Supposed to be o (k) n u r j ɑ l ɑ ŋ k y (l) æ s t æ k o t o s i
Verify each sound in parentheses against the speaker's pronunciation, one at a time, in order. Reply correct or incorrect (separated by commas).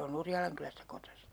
incorrect, correct